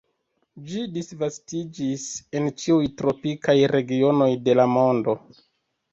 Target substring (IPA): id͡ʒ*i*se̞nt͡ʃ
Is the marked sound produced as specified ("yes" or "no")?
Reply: yes